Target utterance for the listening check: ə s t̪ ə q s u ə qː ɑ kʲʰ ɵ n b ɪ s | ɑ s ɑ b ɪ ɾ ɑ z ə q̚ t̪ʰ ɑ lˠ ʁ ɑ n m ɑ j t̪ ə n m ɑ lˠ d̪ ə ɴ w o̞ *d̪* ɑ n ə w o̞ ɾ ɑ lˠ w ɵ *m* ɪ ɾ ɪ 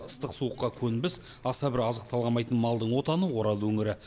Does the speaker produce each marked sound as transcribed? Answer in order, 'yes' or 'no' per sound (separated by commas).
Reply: no, no